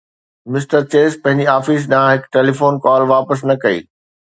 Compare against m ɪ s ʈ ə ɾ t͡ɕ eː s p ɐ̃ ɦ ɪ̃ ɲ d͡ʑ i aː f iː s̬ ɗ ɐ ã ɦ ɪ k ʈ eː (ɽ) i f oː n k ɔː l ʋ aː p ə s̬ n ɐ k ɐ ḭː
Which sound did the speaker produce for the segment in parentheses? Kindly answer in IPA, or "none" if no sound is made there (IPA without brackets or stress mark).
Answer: l